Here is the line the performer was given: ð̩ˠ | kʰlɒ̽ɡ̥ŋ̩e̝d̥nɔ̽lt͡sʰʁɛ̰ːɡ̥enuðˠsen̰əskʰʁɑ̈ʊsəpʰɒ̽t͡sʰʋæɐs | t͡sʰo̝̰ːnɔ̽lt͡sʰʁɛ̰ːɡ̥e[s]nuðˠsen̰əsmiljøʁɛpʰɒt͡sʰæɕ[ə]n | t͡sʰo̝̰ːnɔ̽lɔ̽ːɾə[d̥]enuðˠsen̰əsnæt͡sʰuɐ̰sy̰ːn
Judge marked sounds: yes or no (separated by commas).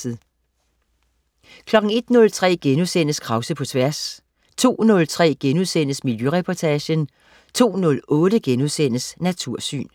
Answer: no, yes, no